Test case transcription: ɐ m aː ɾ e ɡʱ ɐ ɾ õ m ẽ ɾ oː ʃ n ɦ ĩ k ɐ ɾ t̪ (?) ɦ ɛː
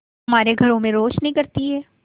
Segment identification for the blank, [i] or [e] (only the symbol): i